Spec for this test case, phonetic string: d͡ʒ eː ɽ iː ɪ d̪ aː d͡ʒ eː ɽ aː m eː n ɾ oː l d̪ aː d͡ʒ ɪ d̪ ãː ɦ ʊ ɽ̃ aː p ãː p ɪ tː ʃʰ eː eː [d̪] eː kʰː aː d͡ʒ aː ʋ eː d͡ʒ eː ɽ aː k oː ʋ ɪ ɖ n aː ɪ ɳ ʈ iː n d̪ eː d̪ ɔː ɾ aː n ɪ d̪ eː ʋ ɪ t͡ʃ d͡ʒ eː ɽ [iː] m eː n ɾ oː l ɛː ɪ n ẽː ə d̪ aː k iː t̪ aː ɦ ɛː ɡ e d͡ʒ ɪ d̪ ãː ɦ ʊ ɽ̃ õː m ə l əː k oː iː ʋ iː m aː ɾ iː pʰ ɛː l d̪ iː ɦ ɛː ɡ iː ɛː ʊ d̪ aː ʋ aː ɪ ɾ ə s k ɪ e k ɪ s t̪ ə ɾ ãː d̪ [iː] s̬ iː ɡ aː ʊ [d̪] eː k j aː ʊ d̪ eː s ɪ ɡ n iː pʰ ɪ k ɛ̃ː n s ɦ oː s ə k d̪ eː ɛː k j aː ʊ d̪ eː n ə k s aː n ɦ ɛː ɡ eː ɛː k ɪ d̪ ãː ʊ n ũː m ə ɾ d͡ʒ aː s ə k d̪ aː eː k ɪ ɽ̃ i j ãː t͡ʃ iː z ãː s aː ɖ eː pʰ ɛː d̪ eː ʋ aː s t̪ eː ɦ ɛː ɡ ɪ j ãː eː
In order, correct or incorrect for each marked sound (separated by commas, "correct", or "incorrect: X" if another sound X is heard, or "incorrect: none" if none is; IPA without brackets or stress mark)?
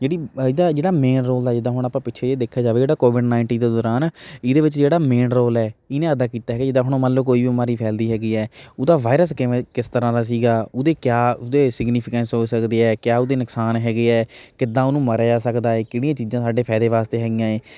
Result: correct, incorrect: aː, incorrect: aː, correct